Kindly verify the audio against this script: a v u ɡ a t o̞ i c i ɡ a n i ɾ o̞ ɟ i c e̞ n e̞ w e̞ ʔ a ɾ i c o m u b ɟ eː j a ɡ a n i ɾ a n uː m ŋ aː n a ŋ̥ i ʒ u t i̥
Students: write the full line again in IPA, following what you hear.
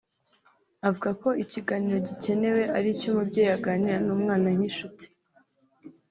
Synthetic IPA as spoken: a v u ɡ a k o̞ i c i ɡ a n i ɾ o̞ ɟ i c e̞ n e̞ w e̞ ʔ a ɾ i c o m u b ɟ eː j a ɡ a n i ɾ a n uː m ŋ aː n a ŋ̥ i ʃ u t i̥